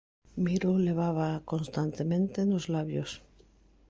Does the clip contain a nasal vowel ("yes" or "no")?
yes